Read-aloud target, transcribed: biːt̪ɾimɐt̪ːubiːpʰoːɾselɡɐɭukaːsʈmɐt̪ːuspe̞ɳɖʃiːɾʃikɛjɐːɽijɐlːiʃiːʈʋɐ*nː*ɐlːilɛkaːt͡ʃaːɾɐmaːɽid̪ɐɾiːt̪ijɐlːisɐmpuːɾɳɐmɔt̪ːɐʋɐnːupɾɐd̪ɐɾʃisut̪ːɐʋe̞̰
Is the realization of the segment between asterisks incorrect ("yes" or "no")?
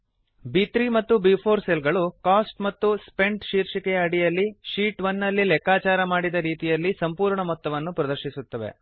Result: no